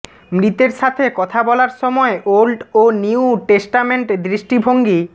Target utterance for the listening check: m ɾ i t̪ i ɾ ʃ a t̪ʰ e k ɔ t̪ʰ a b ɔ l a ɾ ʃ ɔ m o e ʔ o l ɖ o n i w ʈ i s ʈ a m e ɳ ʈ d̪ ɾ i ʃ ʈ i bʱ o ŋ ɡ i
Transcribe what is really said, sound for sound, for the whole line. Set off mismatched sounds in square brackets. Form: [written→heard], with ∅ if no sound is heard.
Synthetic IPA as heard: m ɾ i t̪ [i→e] ɾ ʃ a t̪ʰ e k ɔ t̪ʰ a b ɔ l a ɾ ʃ ɔ m [o→ɔ] e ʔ o l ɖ o n i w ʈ [i→e] s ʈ a m e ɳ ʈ d̪ ɾ i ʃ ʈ i bʱ o ŋ ɡ i